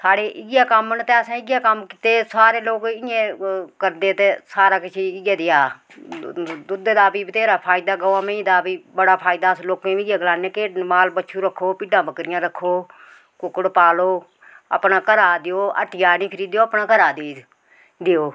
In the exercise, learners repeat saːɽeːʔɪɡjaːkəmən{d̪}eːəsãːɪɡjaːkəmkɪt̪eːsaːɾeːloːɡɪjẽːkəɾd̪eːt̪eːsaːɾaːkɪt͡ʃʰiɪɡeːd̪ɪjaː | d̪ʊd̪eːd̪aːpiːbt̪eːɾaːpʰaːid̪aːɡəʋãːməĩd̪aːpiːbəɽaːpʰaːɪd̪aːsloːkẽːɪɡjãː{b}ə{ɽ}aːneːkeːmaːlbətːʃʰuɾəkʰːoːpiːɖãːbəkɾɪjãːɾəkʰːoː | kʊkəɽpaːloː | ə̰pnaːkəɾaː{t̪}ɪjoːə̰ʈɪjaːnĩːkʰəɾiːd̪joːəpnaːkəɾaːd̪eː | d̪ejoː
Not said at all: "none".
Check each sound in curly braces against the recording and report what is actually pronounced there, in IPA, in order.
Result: t̪, ɡ, l, d̪

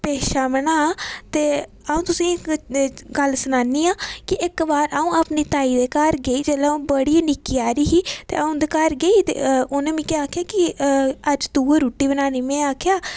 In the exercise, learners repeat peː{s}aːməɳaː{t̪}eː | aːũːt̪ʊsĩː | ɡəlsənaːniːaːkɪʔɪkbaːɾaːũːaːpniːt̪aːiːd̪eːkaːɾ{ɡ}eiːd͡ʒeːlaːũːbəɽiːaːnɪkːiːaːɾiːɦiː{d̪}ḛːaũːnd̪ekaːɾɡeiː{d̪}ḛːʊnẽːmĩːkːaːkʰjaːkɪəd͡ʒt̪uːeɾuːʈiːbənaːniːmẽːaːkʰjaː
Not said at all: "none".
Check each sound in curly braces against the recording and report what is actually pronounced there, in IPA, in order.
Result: ʃ, t̪, ɡ, t̪, t̪

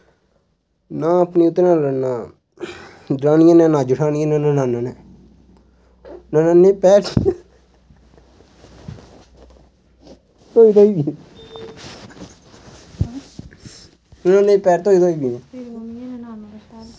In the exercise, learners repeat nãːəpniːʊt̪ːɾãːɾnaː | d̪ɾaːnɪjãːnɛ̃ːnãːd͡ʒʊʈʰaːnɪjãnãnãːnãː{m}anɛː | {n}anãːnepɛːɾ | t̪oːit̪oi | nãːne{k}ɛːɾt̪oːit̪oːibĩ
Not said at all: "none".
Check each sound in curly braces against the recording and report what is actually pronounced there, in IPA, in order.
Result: n, n, p

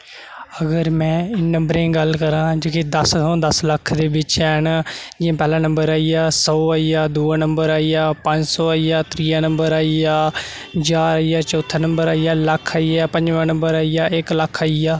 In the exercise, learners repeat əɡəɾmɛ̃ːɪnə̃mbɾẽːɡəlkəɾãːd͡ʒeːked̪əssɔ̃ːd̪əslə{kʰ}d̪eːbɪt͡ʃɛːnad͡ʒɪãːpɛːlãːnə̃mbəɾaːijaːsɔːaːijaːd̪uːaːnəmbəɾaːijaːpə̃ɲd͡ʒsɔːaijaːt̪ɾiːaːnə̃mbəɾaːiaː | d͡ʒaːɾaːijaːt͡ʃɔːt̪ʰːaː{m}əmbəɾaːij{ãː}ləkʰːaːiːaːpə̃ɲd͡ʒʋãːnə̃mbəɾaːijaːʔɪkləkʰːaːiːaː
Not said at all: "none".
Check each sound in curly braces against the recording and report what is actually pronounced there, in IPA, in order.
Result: kʰ, n, aː

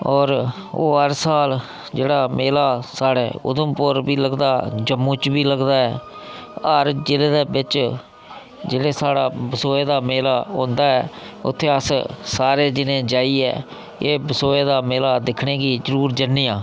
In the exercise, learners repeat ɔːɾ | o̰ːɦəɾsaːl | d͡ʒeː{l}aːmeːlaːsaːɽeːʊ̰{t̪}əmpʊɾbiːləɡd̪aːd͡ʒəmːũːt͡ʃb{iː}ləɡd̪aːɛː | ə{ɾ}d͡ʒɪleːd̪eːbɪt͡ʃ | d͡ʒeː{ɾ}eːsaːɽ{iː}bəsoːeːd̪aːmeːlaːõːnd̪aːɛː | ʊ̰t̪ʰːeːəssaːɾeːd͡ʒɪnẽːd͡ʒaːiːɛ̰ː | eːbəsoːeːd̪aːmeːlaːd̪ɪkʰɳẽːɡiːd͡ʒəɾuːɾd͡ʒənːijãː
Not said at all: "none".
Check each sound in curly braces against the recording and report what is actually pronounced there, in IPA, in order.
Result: ɽ, d̪, iː, ɾ, ɽ, aː

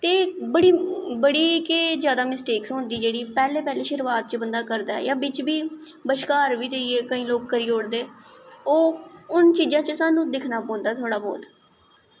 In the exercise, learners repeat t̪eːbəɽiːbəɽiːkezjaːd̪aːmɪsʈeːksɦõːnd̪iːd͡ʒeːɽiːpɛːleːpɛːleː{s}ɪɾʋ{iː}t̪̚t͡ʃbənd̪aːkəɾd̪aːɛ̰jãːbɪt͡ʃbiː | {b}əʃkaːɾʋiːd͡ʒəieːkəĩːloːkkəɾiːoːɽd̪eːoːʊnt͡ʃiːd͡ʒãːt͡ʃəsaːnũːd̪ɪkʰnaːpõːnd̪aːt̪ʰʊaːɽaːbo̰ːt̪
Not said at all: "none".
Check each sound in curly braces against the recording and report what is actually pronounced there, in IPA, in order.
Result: ʃ, aː, b

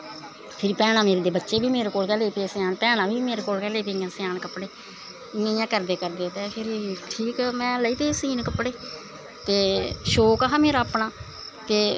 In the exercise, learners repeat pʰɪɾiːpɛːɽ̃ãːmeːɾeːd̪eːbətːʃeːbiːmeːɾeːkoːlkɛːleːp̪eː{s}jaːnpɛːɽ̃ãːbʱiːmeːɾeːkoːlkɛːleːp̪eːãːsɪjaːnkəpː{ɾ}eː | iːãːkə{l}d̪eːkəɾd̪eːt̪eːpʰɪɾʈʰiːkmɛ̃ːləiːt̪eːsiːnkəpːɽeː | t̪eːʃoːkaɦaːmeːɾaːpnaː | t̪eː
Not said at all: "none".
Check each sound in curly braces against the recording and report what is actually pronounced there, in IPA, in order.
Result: s, ɽ, ɾ

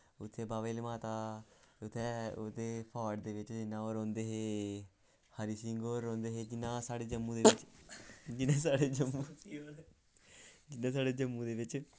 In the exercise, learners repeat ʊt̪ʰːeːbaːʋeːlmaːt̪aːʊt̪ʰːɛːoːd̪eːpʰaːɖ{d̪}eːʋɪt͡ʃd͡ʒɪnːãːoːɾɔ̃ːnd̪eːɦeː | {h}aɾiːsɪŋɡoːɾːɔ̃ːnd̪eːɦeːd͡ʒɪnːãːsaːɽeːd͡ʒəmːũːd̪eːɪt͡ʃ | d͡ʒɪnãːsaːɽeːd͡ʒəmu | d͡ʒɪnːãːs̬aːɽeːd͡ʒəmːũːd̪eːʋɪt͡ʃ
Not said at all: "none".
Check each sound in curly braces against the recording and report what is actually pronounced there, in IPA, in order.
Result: d̪, h

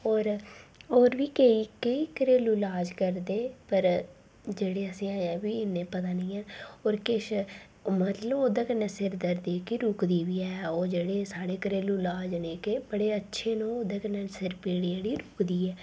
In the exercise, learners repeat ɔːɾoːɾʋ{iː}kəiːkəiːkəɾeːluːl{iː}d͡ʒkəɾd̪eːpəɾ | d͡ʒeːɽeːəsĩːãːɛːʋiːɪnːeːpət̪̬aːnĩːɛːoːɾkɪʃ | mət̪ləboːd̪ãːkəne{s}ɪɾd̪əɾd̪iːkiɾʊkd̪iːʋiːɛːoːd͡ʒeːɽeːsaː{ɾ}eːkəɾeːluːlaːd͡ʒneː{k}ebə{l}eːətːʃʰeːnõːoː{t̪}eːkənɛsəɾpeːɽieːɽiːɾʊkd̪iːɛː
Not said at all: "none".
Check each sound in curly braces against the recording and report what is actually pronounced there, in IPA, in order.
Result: iː, aː, s, ɽ, k, ɽ, d̪

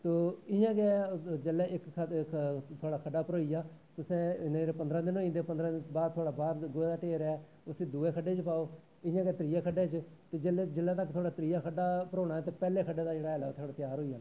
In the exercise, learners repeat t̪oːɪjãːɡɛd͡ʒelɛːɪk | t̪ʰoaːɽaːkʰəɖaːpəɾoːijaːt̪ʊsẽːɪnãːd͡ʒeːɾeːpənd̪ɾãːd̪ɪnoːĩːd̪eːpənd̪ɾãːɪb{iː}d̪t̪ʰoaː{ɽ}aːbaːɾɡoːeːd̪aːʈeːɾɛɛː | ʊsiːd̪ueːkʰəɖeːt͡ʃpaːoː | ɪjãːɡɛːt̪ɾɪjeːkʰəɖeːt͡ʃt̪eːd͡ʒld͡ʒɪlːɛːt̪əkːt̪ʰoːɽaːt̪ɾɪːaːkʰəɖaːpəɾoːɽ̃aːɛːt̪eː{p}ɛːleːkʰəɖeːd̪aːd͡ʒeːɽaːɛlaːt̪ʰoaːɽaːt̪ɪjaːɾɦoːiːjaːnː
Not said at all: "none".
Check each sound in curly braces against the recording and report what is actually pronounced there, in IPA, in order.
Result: aː, ɽ, p

